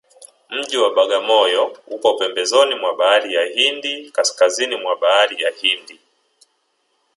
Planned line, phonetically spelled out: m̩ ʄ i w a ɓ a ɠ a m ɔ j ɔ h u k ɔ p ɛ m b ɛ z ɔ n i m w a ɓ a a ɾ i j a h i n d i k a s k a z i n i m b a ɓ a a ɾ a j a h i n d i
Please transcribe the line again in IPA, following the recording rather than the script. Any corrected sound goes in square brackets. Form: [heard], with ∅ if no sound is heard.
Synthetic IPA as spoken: m̩ ʄ i w a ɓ a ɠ a m ɔ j ɔ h u k ɔ p ɛ m b ɛ z ɔ n i m w a ɓ a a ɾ i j a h i n d i k a s k a z i n i m [w] a ɓ a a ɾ [i] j a h i n d i